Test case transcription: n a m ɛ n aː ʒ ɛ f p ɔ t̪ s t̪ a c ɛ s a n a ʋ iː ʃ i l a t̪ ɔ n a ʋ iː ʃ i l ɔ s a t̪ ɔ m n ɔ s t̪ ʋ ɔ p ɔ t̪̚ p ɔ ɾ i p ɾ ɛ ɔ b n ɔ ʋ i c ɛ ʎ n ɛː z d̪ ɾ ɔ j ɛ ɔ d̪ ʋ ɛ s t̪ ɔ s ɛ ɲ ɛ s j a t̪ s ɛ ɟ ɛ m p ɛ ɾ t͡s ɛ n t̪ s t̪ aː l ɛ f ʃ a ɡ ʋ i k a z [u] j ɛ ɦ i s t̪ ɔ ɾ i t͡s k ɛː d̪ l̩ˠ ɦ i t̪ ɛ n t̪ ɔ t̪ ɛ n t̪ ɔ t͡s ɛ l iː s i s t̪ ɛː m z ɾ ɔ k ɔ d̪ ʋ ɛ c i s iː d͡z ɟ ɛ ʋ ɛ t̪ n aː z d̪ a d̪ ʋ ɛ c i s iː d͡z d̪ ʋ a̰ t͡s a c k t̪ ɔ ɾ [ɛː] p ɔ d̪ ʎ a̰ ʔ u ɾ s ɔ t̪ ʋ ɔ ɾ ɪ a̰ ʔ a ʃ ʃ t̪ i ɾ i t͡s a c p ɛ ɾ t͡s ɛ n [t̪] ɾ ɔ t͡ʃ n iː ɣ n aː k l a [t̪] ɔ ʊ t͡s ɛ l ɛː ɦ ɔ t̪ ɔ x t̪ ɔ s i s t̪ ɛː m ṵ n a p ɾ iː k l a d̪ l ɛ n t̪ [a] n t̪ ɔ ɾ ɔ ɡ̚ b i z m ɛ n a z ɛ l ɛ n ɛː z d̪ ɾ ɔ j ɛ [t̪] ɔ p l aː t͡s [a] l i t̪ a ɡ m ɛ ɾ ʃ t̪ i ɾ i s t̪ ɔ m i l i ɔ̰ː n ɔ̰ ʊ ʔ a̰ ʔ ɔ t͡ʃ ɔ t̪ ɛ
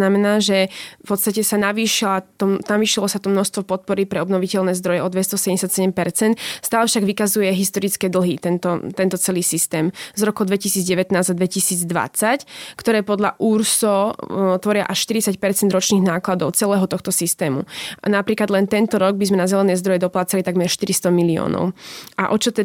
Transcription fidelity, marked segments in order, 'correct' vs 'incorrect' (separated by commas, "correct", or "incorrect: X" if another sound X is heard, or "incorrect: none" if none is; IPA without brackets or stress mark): correct, correct, incorrect: d̪, incorrect: d̪, incorrect: ɛ, incorrect: d̪, correct